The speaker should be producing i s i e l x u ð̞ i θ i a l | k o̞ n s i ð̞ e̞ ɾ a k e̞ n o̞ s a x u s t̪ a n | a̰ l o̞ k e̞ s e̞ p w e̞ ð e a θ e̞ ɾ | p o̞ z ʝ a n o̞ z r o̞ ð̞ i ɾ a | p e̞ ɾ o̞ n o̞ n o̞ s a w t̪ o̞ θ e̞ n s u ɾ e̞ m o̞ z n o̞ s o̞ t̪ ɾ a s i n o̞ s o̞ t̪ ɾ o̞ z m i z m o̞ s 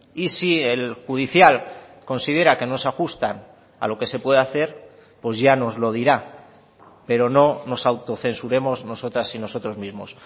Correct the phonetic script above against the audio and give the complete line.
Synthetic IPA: i s i e l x u ð̞ i θ j a l | k o̞ n s i ð̞ e̞ ɾ a k e̞ n o̞ s a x u s t̪ a n | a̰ l o̞ k e̞ s e̞ p w e̞ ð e a θ e̞ ɾ | p o̞ z ʝ a n o̞ z l o̞ ð̞ i ɾ a | p e̞ ɾ o̞ n o̞ n o̞ s a w t̪ o̞ θ e̞ n s u ɾ e̞ m o̞ z n o̞ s o̞ t̪ ɾ a s i n o̞ s o̞ t̪ ɾ o̞ z m i z m o̞ s